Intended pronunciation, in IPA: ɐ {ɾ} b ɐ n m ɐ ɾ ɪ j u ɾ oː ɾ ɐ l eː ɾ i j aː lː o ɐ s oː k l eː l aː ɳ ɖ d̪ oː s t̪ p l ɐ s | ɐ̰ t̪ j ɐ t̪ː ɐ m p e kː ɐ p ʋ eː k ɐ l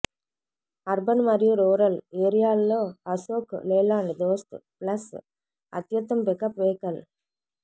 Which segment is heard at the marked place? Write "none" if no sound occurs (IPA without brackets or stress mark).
ɾ